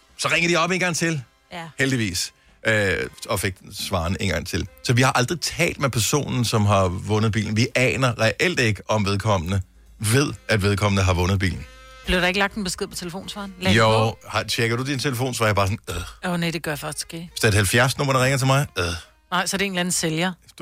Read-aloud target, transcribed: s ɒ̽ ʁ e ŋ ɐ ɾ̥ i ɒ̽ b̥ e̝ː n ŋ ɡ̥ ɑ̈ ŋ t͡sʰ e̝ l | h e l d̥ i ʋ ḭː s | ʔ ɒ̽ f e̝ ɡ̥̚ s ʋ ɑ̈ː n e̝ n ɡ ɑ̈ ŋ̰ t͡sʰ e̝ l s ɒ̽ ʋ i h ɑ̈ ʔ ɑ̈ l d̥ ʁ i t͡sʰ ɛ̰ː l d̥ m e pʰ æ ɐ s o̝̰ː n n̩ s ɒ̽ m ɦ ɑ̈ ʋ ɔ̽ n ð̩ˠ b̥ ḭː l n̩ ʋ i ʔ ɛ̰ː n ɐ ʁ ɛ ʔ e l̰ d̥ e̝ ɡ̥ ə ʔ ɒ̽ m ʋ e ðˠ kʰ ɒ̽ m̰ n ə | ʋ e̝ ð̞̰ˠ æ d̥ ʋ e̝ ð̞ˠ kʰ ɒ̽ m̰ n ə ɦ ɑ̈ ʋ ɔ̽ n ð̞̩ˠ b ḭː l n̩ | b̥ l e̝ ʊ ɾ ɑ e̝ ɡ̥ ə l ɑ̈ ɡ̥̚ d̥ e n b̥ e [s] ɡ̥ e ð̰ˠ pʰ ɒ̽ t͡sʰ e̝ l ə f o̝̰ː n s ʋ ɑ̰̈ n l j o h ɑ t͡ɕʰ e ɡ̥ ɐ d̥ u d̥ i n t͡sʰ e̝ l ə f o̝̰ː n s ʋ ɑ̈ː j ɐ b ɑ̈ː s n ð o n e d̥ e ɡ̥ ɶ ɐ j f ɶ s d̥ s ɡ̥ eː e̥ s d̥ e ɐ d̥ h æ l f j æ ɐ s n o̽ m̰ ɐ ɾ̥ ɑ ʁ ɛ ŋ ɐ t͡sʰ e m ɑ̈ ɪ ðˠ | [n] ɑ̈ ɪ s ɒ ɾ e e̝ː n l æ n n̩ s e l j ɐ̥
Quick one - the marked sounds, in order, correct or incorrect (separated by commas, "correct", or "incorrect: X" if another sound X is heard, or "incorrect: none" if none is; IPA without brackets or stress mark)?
correct, correct